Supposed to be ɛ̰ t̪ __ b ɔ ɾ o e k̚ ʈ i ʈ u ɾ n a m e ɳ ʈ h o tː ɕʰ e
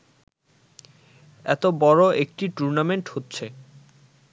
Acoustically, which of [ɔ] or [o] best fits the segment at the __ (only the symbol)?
o